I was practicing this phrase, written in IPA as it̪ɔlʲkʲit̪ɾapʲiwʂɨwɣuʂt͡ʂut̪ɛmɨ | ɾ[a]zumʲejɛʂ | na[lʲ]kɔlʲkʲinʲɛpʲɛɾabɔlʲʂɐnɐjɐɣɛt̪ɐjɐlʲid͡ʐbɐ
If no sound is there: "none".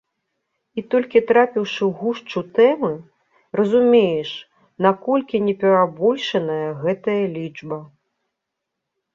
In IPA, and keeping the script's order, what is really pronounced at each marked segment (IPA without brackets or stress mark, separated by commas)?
ɐ, none